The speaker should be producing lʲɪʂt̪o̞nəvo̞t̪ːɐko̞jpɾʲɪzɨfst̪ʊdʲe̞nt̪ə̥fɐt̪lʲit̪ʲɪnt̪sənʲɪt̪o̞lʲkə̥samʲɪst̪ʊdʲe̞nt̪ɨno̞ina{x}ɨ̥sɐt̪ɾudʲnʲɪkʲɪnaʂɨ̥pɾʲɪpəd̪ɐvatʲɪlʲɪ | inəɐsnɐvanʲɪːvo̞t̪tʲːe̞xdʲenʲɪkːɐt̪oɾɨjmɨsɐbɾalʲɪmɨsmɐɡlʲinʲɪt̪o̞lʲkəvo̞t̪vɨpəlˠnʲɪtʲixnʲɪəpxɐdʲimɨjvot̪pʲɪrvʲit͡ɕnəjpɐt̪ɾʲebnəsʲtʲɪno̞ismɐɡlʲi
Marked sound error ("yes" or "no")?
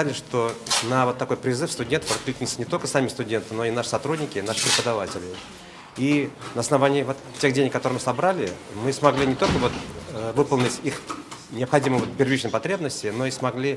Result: yes